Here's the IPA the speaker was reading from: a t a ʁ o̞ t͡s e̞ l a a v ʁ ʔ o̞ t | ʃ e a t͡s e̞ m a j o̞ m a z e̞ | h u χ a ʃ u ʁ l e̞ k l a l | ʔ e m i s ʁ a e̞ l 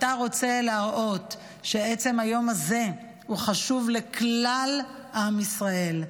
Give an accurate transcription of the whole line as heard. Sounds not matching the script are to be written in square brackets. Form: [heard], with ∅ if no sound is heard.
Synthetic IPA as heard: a t a ʁ o̞ t͡s e̞ l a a [∅] ʁ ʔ o̞ t | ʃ e [e] t͡s e̞ m a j o̞ m a z e̞ | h u χ a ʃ u [v] l e̞ k l a l | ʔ [a] m i s ʁ a e̞ l